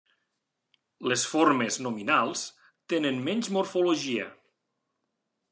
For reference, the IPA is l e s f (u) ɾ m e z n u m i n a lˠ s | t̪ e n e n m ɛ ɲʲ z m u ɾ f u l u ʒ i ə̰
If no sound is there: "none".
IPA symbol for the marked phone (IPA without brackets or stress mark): o